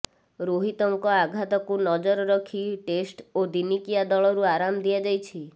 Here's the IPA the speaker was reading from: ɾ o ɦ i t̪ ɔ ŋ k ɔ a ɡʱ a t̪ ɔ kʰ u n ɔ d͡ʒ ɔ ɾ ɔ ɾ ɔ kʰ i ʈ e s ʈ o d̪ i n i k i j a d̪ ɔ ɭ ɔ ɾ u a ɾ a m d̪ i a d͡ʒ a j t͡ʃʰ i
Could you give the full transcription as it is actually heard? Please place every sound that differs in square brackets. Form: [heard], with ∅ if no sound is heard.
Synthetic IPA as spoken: ɾ o ɦ i t̪ ɔ ŋ k ɔ a ɡʱ a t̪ ɔ [k] u n ɔ d͡ʒ ɔ ɾ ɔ ɾ ɔ kʰ i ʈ e s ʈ o d̪ i n i k i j a d̪ ɔ ɭ ɔ ɾ u a ɾ a m d̪ i a d͡ʒ a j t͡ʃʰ i